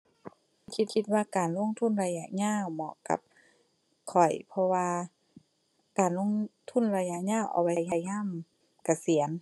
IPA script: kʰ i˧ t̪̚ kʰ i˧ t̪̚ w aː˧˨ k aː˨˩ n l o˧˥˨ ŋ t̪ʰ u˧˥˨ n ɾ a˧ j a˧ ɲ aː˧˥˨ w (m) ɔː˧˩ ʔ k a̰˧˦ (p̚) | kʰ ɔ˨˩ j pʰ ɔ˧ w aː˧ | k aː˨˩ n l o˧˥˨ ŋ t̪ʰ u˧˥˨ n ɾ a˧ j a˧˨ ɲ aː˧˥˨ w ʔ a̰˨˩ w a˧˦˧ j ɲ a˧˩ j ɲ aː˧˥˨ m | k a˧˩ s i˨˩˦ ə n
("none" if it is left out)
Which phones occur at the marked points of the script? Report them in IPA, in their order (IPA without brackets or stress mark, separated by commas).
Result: m, p̚